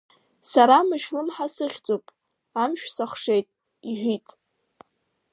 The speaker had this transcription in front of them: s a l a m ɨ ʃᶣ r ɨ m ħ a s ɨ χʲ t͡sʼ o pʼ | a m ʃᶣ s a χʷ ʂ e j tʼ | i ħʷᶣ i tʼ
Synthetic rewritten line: s a ɾ a m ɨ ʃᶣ l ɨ m ħ a s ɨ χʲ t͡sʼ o pʼ | a m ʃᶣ s a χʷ ʂ e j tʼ | i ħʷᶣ i tʼ